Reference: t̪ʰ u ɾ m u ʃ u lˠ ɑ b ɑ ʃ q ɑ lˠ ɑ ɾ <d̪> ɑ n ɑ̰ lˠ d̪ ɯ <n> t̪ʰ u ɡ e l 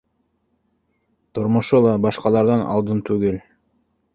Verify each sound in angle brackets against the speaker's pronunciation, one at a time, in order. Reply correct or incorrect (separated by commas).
correct, correct